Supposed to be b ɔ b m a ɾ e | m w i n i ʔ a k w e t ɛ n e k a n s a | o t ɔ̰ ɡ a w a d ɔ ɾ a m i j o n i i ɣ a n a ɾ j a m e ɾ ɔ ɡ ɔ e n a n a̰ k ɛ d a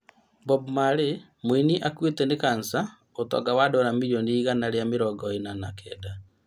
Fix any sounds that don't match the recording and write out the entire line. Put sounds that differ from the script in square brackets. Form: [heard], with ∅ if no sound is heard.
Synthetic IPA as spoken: b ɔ b m a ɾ e | m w i n i ʔ a k w e t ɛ n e k a n s a | o t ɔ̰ ɡ a w a d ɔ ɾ a m i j o n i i ɣ a n a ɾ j a m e ɾ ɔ ɡ ɔ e n a n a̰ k ɛ d a